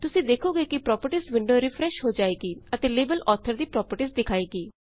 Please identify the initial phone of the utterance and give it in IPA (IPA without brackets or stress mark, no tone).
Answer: t̪